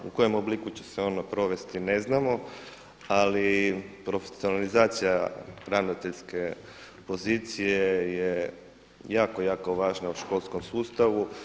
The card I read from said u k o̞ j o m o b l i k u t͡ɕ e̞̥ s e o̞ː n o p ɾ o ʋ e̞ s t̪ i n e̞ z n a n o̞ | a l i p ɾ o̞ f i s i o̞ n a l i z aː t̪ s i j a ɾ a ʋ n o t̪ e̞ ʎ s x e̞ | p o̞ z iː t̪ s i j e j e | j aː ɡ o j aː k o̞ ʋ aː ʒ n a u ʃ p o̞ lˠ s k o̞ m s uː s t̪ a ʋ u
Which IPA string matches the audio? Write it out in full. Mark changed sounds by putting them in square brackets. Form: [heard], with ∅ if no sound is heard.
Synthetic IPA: u k o̞ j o m o b l i k u t͡ɕ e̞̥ s e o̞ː n o p ɾ o ʋ e̞ s t̪ i n e̞ z n a [m] o̞ | a l i p ɾ o̞ f [e] s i o̞ n a l i z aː t̪ s i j a ɾ a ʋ n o t̪ e̞ ʎ s [k] e̞ | p o̞ z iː t̪ s i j e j e | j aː [k] o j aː k o̞ ʋ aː ʒ n a u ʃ [k] o̞ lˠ s k o̞ m s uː s t̪ a ʋ u

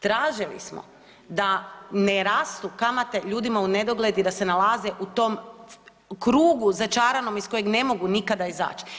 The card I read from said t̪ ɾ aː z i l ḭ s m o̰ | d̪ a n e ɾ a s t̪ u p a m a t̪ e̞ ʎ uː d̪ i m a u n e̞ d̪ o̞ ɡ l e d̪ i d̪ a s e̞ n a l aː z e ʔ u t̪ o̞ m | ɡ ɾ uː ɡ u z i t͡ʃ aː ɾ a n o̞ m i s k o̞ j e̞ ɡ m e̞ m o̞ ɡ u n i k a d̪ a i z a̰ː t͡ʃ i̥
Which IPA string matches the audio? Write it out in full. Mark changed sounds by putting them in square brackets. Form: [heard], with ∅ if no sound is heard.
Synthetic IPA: t̪ ɾ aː [ʒ] i l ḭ s m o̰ | d̪ a n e ɾ a s t̪ u [k] a m a t̪ e̞ ʎ uː d̪ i m a u n e̞ d̪ o̞ ɡ l e d̪ i d̪ a s e̞ n a l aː z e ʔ u t̪ o̞ m | [k] ɾ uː ɡ u z [a] t͡ʃ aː ɾ a n o̞ m i s k o̞ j e̞ ɡ [n] e̞ m o̞ ɡ u n i k a d̪ a i z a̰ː t͡ʃ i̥

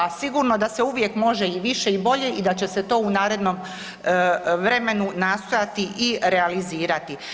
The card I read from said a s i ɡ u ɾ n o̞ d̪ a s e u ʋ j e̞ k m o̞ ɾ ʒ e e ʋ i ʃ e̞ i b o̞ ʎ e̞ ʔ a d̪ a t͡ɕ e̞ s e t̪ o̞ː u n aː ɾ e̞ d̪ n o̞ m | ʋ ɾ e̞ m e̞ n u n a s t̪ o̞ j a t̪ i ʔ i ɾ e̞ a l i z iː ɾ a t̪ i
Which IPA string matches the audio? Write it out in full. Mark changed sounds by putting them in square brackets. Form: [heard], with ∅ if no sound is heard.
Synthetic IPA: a s i ɡ u ɾ n o̞ d̪ a s e u ʋ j e̞ k m o̞ [∅] ʒ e [i] ʋ i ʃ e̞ i b o̞ ʎ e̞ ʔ [i] d̪ a t͡ɕ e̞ s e t̪ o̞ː u n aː ɾ e̞ d̪ n o̞ m | ʋ ɾ e̞ m e̞ n u n a s t̪ o̞ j a t̪ i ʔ i ɾ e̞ a l i z iː ɾ a t̪ i

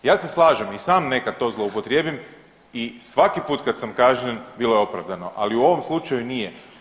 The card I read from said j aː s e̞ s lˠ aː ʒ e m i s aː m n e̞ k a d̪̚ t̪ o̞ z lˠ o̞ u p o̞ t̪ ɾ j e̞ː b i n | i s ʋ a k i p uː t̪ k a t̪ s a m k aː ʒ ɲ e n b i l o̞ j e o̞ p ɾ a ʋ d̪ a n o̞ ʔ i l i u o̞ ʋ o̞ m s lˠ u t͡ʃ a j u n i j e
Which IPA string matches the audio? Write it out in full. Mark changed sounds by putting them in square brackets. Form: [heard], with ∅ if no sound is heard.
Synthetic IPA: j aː s e̞ s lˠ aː ʒ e m i s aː m n e̞ k a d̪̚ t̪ o̞ z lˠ o̞ u p o̞ t̪ ɾ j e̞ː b i [m] | i s ʋ a k i p uː t̪ k a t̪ s a m k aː ʒ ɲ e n b i l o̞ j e o̞ p ɾ a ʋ d̪ a n o̞ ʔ [a] l i u o̞ ʋ o̞ m s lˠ u t͡ʃ a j u n i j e

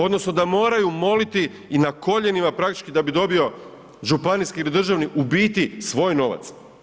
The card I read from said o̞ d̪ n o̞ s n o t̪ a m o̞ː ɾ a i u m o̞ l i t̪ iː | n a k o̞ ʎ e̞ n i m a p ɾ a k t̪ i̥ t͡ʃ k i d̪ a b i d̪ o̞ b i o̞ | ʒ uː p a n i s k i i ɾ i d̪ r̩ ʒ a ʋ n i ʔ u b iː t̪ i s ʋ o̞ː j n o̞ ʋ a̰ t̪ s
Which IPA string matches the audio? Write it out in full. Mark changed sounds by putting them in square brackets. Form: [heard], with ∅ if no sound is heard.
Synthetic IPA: o̞ d̪ n o̞ s n o [d̪] a m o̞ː ɾ a [j] u m o̞ l i t̪ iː | n a k o̞ ʎ e̞ n i m a p ɾ a k t̪ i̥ t͡ʃ k i d̪ a b i d̪ o̞ b i o̞ | ʒ [u] p a n i s k i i [l] i d̪ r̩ ʒ a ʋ n i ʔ u b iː t̪ i s ʋ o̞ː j n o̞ ʋ a̰ t̪ s

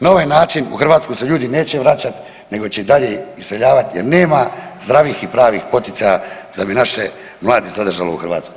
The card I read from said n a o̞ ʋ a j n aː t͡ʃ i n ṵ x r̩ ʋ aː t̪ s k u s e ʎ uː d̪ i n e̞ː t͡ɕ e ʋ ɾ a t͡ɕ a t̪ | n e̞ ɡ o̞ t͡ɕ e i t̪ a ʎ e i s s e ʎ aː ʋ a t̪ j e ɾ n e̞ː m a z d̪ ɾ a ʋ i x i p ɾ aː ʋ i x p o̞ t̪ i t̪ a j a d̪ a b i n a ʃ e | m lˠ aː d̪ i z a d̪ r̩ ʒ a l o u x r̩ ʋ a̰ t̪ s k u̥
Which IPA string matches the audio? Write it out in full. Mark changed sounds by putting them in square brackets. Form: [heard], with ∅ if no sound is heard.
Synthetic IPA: n a o̞ ʋ a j n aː t͡ʃ i n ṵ x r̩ ʋ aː t̪ s k u s e ʎ uː d̪ i n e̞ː t͡ɕ e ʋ ɾ a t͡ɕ a t̪ | n e̞ ɡ o̞ t͡ɕ e i [d̪] a ʎ e i s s e ʎ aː ʋ a t̪ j e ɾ n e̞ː m a z d̪ ɾ a ʋ i x i p ɾ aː ʋ i x p o̞ t̪ i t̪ a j a d̪ a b i n a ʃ e | m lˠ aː d̪ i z a d̪ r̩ ʒ a l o u x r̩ ʋ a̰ t̪ s k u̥

